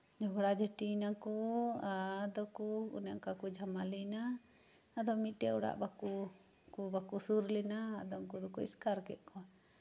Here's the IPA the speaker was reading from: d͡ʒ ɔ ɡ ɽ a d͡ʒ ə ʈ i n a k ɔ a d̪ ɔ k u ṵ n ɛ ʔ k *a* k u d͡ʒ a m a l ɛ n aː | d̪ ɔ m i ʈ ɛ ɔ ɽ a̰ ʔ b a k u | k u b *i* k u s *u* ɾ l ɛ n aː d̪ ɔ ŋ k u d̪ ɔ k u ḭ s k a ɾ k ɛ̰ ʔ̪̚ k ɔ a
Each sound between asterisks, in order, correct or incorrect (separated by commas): correct, incorrect, correct